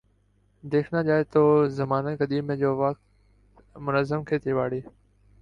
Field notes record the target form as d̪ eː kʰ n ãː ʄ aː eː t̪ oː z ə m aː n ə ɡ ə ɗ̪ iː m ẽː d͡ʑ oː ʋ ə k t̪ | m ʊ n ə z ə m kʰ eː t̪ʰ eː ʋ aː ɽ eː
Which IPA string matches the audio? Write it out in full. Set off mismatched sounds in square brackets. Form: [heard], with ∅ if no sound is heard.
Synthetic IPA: d̪ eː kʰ n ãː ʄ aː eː t̪ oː z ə m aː n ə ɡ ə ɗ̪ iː m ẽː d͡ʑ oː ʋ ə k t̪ | m ʊ n ə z ə m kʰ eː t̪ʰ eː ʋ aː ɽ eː